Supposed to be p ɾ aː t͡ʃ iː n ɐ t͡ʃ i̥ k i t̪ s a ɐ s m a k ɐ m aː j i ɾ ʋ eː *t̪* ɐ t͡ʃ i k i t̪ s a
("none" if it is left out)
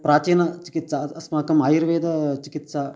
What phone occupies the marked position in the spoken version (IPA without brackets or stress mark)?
d̪